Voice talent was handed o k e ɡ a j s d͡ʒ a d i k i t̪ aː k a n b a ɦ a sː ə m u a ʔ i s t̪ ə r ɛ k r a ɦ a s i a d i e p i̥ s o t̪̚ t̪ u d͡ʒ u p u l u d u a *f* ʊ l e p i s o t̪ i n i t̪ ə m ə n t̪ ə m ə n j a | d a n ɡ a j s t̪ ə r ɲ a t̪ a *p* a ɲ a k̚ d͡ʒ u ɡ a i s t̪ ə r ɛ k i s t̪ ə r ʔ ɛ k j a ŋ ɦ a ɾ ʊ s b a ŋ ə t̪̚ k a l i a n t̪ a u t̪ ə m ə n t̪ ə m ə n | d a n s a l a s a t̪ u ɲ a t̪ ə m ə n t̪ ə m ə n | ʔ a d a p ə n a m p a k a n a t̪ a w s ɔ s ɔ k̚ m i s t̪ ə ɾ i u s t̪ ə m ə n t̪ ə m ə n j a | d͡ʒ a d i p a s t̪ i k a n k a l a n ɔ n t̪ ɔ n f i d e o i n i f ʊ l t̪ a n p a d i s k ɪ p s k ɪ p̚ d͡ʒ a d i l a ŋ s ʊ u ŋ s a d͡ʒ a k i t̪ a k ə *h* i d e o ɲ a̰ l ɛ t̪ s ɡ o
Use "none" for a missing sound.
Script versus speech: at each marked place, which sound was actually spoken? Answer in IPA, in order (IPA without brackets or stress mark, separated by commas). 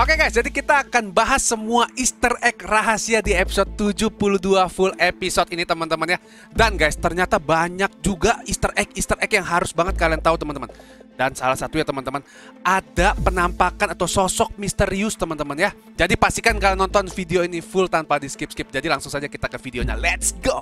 f, b, f